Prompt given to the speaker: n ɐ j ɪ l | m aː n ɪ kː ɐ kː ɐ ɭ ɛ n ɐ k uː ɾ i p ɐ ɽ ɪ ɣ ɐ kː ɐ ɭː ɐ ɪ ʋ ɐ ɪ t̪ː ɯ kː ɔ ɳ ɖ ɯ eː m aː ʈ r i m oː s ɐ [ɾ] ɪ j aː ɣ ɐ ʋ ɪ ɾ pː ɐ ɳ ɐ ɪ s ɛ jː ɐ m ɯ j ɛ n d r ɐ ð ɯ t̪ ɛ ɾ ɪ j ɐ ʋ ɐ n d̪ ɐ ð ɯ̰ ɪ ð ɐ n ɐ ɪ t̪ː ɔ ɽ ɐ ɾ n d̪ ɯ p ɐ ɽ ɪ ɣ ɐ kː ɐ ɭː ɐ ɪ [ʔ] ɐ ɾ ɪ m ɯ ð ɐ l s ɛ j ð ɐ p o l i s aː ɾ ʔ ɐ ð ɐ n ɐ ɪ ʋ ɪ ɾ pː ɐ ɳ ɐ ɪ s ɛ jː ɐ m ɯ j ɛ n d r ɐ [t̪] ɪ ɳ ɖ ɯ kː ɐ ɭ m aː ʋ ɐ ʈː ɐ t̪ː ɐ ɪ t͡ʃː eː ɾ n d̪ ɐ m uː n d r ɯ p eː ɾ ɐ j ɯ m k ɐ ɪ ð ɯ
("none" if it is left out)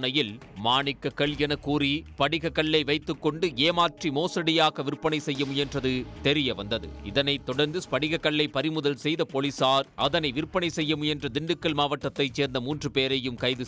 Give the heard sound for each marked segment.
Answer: ɽ, p, d̪

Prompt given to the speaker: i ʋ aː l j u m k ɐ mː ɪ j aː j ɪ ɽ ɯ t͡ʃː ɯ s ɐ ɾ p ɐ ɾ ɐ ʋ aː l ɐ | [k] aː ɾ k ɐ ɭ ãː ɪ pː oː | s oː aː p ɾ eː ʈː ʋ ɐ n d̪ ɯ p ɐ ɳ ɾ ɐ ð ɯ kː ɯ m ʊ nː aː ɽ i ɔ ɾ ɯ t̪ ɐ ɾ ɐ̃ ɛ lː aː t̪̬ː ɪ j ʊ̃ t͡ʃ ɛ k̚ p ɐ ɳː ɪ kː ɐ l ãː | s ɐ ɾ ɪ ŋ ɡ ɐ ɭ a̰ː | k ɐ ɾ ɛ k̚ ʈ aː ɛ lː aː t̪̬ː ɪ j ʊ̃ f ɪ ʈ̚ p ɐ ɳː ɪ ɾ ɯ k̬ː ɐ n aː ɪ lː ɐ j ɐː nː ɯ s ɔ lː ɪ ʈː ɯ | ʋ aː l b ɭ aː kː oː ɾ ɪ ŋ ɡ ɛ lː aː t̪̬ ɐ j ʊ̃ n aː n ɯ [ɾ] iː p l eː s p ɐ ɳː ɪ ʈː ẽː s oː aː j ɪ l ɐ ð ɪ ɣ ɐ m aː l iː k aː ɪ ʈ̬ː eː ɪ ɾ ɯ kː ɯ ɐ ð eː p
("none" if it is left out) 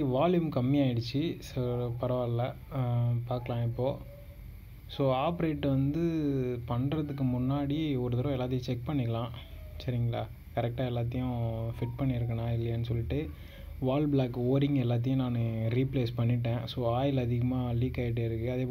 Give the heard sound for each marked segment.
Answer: p, ɾ

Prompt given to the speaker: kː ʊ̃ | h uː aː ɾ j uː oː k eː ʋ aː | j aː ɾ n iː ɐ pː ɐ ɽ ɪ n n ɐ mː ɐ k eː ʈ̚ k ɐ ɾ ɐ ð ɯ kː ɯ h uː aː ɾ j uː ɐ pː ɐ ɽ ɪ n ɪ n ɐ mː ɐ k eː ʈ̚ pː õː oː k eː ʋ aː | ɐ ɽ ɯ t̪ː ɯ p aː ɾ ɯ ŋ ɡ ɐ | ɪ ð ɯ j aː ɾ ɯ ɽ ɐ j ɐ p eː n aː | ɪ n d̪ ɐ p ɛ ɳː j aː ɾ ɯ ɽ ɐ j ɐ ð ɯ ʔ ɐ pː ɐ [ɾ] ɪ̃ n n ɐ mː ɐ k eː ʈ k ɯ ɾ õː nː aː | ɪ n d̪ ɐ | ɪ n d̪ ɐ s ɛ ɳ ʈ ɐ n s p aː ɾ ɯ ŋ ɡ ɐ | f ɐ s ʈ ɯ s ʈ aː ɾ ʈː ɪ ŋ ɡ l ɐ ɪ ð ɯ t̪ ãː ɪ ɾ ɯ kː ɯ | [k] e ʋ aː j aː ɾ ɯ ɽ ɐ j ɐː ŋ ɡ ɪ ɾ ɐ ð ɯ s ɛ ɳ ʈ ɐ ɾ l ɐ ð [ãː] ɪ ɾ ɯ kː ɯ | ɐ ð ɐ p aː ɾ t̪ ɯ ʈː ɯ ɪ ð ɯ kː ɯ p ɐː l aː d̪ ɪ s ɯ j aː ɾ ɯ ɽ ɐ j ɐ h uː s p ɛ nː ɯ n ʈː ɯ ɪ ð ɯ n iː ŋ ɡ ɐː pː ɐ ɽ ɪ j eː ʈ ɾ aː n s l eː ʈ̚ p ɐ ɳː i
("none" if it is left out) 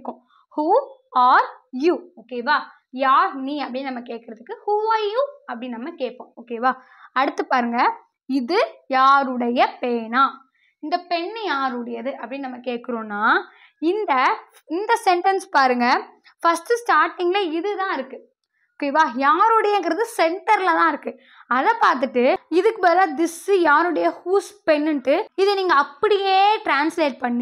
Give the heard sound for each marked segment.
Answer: ɽ, k, ãː

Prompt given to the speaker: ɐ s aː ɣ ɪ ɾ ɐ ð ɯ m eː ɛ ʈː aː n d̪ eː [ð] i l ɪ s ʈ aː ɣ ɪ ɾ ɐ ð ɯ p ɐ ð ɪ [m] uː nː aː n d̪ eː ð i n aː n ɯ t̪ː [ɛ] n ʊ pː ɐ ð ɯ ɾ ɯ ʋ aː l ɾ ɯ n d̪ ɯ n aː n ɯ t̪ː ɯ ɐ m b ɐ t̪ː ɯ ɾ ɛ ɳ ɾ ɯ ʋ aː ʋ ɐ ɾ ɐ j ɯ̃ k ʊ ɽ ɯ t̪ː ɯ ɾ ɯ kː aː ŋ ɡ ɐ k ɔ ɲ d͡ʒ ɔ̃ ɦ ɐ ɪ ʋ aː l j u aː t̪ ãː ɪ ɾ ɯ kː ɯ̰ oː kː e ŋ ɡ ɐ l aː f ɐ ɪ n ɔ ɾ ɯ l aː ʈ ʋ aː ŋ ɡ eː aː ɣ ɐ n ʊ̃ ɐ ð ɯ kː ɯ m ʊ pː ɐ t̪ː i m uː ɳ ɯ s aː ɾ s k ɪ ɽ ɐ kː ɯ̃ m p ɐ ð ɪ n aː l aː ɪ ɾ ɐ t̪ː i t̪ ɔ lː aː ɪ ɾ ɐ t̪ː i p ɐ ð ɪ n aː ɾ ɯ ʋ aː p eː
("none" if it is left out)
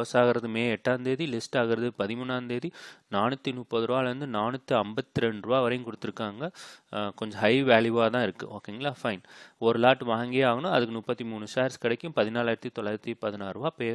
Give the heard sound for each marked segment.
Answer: ð, m, i

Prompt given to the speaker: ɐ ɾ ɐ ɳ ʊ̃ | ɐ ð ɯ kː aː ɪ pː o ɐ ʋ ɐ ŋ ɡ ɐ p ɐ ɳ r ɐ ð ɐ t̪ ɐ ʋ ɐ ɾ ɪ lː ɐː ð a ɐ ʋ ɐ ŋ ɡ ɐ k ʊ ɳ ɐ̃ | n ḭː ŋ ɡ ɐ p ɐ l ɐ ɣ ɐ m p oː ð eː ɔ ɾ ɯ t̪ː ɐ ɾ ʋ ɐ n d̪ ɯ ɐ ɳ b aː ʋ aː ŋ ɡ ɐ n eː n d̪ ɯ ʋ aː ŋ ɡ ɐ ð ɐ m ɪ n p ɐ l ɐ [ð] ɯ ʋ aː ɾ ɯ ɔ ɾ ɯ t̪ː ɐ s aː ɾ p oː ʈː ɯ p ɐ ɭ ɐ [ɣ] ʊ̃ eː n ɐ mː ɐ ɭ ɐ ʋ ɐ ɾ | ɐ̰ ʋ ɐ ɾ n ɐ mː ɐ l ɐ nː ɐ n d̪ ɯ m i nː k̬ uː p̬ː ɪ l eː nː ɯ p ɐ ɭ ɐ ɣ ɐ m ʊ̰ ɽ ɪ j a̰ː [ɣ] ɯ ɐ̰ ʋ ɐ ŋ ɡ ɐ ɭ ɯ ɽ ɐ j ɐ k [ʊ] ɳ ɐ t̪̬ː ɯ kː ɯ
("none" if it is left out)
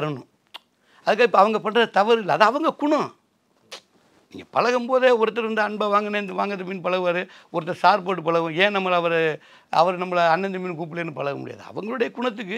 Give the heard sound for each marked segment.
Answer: ɣ, ɣ, ð, ʊ

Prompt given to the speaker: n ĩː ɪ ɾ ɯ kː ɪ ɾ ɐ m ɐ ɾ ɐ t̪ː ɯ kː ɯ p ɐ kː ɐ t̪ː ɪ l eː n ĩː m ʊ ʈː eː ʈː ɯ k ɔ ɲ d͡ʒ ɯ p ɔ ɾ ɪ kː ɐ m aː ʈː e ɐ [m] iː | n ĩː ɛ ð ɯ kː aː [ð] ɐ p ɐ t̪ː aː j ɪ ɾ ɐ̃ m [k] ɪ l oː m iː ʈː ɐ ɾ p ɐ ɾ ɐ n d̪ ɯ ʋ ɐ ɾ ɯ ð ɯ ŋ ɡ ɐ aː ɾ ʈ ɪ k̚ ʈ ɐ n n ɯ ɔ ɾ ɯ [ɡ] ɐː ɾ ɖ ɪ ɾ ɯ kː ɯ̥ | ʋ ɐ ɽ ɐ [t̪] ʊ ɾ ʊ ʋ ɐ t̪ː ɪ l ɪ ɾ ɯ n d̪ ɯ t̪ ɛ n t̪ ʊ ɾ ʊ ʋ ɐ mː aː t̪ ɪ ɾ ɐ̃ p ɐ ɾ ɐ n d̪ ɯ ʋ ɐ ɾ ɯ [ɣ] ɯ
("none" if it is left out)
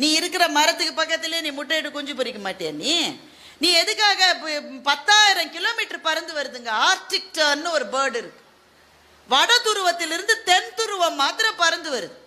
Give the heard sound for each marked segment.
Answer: n, ɣ, k, b, t̪, ð

